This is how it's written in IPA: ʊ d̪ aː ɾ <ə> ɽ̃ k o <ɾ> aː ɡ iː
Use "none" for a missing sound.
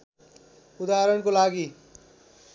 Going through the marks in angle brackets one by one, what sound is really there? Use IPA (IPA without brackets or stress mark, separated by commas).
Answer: ə, l